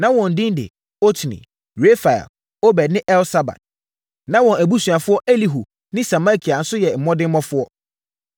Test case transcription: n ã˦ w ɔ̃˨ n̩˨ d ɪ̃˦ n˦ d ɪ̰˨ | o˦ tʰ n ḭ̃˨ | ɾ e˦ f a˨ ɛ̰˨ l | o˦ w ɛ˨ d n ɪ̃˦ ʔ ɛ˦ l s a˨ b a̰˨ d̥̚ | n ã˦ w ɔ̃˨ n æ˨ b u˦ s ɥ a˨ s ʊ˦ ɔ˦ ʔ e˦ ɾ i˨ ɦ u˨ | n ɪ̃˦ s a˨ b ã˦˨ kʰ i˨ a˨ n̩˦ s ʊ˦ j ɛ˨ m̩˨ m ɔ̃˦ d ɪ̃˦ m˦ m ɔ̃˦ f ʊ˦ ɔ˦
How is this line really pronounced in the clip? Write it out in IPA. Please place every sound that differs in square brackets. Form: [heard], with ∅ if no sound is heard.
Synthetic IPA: n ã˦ w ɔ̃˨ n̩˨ d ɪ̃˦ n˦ d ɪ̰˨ | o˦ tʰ n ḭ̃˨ | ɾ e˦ f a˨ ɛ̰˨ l | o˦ [b] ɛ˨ d n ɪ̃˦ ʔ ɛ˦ l s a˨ b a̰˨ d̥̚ | n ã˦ w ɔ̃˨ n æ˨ b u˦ s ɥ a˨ [f] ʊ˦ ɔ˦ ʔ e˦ [l] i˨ ɦ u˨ | n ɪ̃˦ s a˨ [m] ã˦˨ kʰ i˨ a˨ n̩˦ s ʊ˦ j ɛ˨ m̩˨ m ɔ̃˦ d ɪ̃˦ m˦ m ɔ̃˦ f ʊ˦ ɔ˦